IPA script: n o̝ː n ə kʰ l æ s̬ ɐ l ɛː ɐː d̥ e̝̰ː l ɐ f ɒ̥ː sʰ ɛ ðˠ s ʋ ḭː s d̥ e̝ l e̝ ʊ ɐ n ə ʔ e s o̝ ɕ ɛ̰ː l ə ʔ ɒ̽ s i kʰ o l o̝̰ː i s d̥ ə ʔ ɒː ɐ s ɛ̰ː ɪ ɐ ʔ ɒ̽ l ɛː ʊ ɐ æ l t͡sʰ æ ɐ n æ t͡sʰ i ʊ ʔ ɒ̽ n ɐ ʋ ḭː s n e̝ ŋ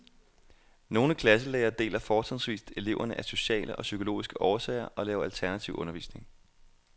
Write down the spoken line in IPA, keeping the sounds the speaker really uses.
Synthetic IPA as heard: n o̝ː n ə kʰ l æ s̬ ə l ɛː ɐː d̥ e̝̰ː l ɐ f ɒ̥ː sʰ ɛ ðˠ s ʋ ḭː s d̥ e̝ l e̝ ʊ ɐ n ə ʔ æ s o̝ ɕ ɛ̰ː l ə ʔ ɒ̽ s y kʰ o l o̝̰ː i s ɡ̥ ə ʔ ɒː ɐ s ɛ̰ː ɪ ɐ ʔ ɒ̽ l ɛː ʊ ɐ æ l t͡sʰ æ ɐ n æ t͡sʰ i ʊ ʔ ɔ̽ n ɐ ʋ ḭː s n e̝ ŋ